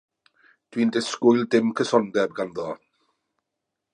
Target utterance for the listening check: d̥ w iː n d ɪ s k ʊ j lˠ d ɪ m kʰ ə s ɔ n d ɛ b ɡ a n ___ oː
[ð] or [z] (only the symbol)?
ð